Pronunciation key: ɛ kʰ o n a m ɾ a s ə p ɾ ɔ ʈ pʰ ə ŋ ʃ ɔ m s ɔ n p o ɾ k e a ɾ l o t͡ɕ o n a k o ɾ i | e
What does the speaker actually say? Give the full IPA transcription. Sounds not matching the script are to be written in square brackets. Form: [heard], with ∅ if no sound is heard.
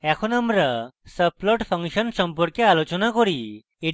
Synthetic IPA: ɛ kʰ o n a m ɾ a s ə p [l] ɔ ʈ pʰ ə ŋ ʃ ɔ [n] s ɔ [m] p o ɾ k e a [∅] l o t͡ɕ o n a k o ɾ i | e